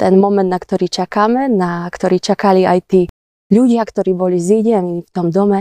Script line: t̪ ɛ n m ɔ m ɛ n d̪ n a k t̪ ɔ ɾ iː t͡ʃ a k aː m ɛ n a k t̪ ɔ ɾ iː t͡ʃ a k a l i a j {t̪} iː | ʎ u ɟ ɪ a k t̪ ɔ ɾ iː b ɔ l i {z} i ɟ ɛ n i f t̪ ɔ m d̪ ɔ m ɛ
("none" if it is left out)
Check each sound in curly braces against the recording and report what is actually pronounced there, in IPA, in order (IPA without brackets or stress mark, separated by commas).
t̪, z